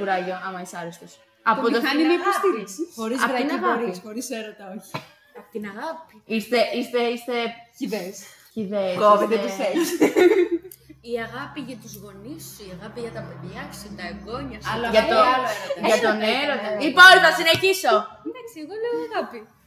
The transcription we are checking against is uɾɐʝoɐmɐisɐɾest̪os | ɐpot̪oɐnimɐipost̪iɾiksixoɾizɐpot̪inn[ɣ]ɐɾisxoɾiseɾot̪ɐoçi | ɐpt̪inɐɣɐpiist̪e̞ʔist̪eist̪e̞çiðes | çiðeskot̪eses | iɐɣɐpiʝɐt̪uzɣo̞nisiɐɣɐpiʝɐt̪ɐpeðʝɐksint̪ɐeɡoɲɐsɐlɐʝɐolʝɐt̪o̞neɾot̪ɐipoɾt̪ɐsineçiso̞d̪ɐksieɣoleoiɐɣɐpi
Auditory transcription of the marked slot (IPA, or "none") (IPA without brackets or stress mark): ɣ